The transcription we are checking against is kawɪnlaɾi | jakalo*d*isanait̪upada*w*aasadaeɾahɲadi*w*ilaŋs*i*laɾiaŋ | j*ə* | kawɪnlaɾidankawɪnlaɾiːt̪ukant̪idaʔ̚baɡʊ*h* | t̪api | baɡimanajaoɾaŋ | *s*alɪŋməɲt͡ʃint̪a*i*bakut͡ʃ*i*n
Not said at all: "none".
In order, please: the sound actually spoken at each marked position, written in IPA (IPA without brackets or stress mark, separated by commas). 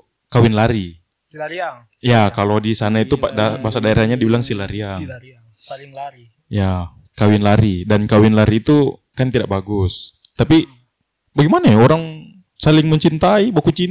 d, b, b, i, a, s, s, i, i